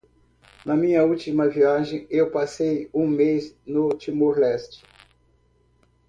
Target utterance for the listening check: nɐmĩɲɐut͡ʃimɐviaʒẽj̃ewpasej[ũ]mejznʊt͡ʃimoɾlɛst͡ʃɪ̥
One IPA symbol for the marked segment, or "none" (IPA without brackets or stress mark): ũ